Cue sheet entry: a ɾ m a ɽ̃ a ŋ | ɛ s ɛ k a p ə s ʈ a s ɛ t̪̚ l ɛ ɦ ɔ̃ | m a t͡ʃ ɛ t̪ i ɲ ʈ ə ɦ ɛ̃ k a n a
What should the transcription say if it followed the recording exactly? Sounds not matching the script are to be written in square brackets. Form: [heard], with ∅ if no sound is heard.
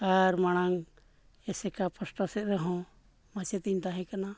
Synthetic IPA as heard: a ɾ m a ɽ̃ a ŋ | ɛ s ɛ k a p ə s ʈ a s ɛ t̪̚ [ɾ] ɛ ɦ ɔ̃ | m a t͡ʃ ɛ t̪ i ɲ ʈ [a] ɦ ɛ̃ k a n a